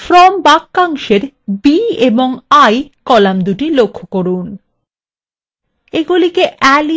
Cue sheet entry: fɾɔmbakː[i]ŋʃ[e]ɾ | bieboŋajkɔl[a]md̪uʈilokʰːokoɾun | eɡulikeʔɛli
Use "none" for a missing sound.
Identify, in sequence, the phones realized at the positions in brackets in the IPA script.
a, e, a

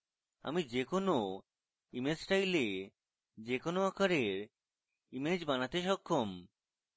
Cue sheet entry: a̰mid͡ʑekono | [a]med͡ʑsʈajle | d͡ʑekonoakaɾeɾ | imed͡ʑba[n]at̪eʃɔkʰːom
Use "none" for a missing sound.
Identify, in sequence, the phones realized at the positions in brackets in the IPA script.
i, n

